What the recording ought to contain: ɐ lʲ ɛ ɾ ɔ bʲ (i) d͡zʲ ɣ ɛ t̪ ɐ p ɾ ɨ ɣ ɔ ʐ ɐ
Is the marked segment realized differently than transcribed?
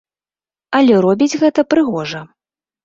no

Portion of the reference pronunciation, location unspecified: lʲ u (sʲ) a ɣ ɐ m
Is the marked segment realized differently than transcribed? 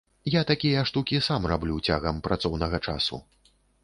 yes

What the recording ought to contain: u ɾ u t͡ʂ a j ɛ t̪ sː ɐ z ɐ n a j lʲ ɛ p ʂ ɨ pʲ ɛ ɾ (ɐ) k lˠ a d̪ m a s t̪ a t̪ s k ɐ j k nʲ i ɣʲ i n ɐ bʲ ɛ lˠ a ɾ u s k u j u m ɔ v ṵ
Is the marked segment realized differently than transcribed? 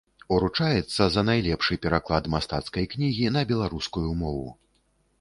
yes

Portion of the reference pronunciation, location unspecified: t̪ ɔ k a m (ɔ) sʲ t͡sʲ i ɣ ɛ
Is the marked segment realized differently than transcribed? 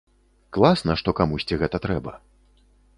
yes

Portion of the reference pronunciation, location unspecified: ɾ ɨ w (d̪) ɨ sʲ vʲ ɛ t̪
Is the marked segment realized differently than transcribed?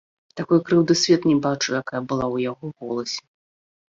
no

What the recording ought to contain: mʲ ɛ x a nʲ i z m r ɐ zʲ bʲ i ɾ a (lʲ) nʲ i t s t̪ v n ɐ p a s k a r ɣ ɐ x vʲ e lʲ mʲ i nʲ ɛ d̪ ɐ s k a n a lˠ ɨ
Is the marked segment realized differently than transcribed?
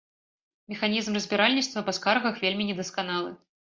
no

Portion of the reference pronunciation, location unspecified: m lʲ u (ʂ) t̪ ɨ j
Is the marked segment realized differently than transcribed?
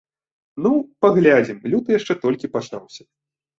yes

